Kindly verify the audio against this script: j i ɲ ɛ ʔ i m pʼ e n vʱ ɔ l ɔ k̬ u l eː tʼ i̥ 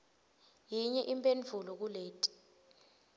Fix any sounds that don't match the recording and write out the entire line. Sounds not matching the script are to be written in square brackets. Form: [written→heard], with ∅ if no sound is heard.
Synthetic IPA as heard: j i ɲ ɛ ʔ i m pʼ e n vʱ [ɔ→u] l ɔ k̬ u l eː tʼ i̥